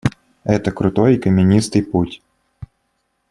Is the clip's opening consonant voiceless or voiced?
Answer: voiceless